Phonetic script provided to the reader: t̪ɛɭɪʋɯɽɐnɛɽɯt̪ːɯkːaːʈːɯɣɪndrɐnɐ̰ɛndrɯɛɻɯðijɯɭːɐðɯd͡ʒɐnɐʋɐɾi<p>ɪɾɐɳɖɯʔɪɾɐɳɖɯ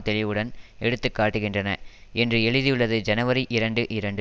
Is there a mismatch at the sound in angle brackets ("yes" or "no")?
yes